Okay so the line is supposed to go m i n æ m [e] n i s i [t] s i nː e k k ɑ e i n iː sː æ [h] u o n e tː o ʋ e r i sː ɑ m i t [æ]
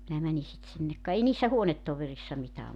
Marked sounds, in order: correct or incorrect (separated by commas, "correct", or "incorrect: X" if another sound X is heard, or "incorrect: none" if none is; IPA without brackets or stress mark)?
incorrect: æ, correct, correct, incorrect: æː